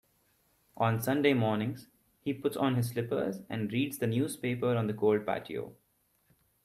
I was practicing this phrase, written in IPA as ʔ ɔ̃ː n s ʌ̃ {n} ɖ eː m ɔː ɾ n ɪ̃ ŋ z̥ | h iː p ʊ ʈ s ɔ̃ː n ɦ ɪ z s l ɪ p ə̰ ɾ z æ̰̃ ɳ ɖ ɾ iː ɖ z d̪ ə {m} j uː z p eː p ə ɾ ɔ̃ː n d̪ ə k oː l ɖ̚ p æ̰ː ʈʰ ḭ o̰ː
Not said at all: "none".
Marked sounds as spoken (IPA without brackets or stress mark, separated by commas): n, n